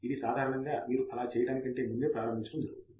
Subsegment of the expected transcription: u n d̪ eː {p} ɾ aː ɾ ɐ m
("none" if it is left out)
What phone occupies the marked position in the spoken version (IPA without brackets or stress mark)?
p